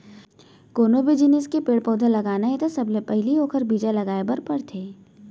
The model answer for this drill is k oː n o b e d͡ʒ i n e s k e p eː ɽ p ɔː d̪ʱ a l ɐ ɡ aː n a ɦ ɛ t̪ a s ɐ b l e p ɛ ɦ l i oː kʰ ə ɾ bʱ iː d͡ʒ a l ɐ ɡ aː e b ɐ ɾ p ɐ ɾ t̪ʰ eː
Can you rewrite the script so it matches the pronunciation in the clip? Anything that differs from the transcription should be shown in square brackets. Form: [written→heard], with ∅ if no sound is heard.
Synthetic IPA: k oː n o b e d͡ʒ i n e s k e p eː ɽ p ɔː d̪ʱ a l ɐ ɡ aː n a ɦ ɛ t̪ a s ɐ b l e p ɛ ɦ l i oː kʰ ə ɾ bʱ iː d͡ʒ a l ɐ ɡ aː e b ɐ ɾ p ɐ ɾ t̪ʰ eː